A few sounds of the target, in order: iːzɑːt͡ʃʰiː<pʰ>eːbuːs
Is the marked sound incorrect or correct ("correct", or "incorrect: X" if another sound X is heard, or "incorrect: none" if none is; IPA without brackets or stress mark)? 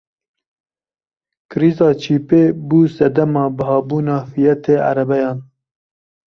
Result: incorrect: p